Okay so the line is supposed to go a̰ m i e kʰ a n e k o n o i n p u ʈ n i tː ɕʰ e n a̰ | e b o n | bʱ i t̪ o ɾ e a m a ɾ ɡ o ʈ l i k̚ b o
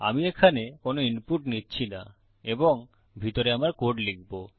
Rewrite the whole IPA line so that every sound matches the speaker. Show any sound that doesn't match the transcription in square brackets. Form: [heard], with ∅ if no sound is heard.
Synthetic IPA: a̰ m i e kʰ a n e k o n o i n p u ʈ n i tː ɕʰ [i] n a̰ | e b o [ŋ] | bʱ i t̪ o ɾ e a m a ɾ [k] o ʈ l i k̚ b o